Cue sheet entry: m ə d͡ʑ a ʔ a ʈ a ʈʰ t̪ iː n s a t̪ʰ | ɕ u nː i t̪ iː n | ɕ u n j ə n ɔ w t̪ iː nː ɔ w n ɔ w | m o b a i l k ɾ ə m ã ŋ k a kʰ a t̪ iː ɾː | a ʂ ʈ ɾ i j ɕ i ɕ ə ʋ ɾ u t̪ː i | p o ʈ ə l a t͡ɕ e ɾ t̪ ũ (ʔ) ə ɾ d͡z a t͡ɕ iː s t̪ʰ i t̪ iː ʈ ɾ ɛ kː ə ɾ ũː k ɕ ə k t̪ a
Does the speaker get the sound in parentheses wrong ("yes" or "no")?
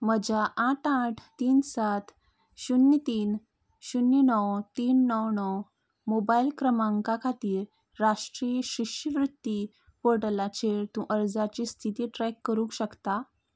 no